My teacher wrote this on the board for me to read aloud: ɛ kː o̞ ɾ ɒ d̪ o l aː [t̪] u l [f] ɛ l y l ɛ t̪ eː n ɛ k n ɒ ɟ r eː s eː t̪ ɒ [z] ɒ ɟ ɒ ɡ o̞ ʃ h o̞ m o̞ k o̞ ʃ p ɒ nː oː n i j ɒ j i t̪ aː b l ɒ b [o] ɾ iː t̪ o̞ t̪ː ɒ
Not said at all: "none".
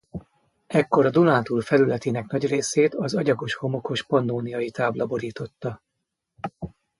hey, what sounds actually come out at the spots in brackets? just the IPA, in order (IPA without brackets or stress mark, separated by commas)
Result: t̪, f, z, o